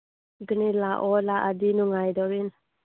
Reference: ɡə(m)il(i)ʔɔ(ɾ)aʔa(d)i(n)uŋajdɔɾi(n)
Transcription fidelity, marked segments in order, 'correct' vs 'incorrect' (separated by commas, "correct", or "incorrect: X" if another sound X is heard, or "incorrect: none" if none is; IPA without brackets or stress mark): incorrect: n, incorrect: a, incorrect: l, correct, correct, correct